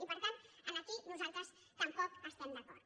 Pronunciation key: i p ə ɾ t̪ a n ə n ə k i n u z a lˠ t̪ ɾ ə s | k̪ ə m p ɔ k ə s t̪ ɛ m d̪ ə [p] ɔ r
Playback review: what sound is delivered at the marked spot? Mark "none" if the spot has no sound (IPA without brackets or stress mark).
k